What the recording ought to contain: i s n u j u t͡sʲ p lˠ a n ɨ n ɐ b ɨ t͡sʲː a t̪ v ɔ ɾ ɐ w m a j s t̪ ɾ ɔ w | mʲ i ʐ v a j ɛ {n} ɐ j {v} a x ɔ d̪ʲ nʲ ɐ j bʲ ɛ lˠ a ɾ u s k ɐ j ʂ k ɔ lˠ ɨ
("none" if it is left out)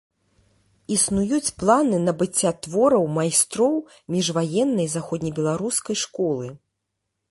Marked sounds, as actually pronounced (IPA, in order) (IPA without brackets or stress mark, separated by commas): nː, z